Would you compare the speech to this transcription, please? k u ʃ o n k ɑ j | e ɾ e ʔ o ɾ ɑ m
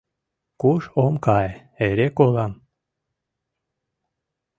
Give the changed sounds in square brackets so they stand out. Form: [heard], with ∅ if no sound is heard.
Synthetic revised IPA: k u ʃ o [m] k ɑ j | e ɾ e [k] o [l] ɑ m